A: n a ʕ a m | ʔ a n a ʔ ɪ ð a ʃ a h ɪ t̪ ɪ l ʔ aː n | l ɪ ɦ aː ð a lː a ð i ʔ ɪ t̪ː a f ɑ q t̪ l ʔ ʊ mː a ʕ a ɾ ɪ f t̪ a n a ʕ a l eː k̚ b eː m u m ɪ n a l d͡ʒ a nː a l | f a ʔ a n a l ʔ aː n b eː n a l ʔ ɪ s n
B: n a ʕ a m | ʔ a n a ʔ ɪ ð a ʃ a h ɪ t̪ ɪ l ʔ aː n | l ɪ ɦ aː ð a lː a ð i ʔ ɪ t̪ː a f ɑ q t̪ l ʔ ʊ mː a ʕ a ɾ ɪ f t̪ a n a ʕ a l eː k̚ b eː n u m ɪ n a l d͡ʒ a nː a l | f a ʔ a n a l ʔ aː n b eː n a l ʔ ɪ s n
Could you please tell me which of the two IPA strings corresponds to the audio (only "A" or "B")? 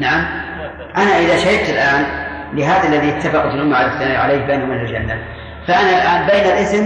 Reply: B